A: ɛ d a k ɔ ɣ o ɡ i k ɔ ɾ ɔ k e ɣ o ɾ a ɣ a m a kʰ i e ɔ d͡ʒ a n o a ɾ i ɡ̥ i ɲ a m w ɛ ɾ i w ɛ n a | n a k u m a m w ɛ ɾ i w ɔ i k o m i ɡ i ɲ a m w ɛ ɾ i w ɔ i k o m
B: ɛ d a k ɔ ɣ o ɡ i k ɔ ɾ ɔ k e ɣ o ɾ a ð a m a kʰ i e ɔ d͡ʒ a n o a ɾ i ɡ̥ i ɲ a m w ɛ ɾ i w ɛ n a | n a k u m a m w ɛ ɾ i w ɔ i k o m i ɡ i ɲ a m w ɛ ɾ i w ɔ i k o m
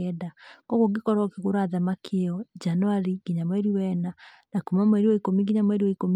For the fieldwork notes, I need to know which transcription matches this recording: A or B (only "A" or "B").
B